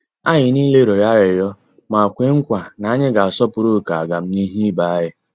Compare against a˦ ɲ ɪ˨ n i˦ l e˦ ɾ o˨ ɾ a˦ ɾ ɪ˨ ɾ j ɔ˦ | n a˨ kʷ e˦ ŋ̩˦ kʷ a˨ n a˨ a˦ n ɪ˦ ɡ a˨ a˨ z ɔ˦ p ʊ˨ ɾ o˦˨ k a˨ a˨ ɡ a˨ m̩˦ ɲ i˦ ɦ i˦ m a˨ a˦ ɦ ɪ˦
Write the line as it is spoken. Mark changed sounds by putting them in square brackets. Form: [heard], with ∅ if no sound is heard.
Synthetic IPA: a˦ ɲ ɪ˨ n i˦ l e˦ ɾ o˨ ɾ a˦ ɾ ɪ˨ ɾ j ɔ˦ | [m] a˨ kʷ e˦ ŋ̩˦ kʷ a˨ n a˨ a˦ [ɲ] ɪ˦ ɡ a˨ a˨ [s] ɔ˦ p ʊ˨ ɾ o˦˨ k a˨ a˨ ɡ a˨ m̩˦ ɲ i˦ ɦ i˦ [b] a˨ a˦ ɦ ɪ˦

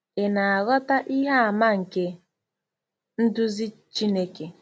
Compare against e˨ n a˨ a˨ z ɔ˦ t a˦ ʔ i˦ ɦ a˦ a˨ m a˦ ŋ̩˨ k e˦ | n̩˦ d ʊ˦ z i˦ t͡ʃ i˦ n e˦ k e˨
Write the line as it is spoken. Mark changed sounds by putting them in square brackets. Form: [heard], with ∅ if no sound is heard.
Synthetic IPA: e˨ n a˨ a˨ [ɣ] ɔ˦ t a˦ ʔ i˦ ɦ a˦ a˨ m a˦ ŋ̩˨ k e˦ | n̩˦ d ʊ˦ z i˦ t͡ʃ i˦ n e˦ k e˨

